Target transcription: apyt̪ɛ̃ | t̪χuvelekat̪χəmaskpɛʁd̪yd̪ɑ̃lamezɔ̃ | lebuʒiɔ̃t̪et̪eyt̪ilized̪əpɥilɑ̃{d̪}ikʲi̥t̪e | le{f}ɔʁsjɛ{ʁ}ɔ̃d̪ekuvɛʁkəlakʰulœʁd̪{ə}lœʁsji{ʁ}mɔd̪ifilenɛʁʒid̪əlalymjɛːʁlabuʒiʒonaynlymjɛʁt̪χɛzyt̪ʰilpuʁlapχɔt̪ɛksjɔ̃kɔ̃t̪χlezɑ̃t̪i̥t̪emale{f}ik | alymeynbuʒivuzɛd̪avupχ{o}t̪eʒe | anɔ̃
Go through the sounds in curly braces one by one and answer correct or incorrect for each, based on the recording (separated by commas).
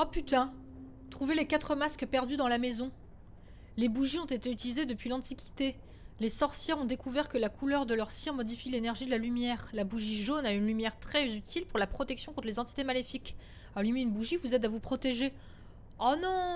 incorrect, incorrect, correct, correct, correct, correct, incorrect